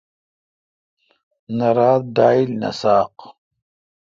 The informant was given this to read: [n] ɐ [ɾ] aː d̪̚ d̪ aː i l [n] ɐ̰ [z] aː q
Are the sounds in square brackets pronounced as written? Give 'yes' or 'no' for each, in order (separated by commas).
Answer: yes, yes, yes, no